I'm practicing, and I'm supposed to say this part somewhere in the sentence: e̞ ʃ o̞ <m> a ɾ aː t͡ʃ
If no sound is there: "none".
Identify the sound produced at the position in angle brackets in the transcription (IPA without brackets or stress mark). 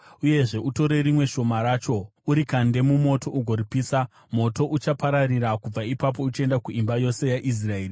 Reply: m